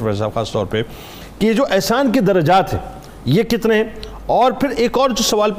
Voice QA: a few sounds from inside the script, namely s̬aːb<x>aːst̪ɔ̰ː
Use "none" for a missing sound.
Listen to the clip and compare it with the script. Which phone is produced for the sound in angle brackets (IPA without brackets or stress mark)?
x